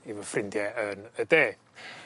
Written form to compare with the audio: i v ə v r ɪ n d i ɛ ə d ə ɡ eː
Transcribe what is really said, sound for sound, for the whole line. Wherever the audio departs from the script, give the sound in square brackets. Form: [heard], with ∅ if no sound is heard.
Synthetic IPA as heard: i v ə [f] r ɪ n d [j] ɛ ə [n] ə [d] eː